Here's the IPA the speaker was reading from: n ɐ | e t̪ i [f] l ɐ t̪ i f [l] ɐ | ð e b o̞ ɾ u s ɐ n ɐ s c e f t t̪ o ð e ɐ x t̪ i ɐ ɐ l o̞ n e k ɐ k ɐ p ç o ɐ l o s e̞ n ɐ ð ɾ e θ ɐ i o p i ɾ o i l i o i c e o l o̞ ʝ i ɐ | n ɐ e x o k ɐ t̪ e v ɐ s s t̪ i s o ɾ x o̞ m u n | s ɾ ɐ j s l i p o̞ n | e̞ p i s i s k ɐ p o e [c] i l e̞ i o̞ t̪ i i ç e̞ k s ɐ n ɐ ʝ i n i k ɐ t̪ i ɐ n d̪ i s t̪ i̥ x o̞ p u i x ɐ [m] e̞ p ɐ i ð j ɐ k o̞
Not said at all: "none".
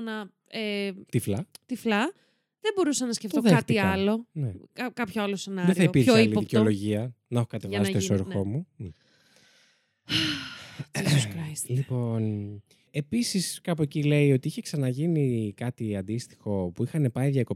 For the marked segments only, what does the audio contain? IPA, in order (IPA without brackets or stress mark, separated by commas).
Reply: f, l, c, n